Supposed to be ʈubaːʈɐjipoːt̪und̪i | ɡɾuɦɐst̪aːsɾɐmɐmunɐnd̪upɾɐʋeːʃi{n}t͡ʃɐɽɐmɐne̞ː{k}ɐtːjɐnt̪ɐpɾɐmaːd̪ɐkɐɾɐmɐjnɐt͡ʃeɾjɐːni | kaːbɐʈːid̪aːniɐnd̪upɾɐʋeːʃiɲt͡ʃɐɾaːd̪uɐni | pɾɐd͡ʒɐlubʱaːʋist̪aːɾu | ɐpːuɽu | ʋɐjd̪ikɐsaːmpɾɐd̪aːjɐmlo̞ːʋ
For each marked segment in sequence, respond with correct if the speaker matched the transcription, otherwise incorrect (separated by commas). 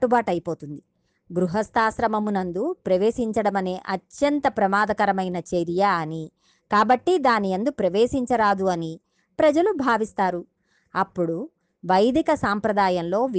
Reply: incorrect, incorrect